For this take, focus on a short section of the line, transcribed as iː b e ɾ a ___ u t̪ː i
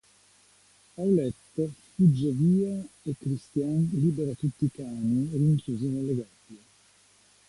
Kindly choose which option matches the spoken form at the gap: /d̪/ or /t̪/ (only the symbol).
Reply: t̪